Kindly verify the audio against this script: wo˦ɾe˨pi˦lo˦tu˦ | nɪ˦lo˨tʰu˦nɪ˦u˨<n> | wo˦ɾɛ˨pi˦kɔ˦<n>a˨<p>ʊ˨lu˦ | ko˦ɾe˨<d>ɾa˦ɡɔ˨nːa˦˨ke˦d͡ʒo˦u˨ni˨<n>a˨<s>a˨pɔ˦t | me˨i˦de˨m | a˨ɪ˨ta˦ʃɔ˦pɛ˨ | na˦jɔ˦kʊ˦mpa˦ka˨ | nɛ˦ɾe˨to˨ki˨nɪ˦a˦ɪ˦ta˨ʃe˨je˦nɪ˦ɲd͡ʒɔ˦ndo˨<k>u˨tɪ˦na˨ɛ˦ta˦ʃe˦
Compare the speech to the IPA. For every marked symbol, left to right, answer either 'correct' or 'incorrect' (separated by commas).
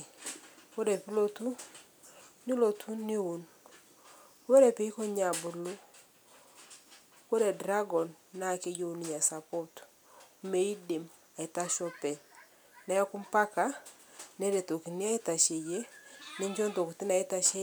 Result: correct, incorrect, incorrect, correct, incorrect, correct, correct